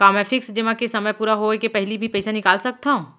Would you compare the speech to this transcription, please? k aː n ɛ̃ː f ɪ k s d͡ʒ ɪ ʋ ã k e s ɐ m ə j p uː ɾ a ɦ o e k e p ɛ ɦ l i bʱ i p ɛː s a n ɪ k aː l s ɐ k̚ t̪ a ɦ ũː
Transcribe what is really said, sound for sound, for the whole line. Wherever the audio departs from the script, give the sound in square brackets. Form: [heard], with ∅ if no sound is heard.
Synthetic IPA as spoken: k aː [m] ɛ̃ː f ɪ k s d͡ʒ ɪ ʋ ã k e s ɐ m ə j p uː ɾ a ɦ o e k e p ɛ ɦ l i bʱ i p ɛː s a n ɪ k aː l s ɐ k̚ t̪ a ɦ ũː